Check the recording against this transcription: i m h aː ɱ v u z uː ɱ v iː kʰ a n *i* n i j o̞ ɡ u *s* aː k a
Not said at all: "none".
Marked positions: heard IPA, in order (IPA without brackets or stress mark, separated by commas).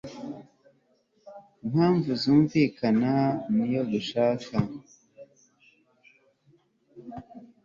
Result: a, ʃ